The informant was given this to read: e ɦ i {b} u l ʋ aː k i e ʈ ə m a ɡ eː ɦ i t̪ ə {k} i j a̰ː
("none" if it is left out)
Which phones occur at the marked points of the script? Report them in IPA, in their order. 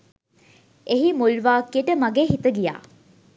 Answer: m, ɡ

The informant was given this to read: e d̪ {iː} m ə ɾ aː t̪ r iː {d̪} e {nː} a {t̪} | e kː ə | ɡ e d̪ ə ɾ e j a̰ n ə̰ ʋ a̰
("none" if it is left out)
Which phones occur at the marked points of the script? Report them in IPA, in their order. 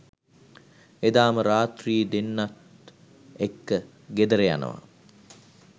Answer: aː, d̪, nː, t̪

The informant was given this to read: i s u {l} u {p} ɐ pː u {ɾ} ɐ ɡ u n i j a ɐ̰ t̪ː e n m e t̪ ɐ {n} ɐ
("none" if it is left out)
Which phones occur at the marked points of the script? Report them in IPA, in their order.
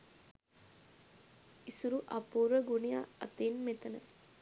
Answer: ɾ, ʔ, ɾ, n

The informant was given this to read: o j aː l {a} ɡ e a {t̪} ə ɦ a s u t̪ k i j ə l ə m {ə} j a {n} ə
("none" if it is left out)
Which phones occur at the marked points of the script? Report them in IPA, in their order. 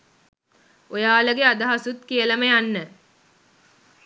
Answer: ə, d̪, ə, nː

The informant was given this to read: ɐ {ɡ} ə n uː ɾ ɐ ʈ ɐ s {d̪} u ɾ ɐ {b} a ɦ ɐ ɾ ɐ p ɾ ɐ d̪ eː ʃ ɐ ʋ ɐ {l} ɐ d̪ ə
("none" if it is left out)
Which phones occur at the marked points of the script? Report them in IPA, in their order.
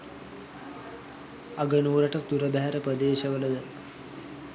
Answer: ɡ, d̪, b, l

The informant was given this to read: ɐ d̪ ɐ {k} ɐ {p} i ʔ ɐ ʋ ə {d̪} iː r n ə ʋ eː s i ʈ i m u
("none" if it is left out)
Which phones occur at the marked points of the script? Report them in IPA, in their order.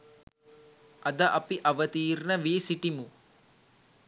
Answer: ʔ, p, t̪

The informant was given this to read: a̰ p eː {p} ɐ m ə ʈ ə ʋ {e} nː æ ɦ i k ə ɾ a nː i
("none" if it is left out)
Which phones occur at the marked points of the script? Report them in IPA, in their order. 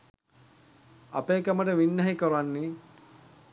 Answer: k, i

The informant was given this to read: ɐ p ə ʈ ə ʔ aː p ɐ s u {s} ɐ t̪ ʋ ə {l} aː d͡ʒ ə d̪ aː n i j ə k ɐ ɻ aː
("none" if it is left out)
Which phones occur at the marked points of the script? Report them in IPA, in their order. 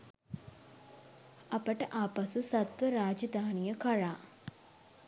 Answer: s, ɾ

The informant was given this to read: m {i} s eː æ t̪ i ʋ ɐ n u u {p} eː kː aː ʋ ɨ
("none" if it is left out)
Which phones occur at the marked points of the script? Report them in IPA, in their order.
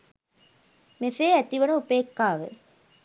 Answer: e, p

